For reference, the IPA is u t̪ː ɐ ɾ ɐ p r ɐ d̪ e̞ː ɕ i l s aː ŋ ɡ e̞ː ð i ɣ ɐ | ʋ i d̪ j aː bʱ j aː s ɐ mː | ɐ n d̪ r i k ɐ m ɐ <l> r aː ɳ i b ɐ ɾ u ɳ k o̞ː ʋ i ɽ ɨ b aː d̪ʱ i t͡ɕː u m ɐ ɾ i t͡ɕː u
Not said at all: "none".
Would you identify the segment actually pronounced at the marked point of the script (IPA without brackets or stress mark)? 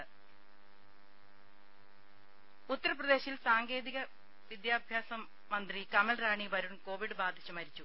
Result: l